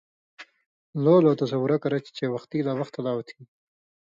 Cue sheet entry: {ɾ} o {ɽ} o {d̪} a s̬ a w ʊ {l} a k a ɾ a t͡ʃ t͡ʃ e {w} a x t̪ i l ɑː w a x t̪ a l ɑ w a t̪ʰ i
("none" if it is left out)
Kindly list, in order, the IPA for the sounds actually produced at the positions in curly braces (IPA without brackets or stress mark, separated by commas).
l, l, t̪, ɾ, w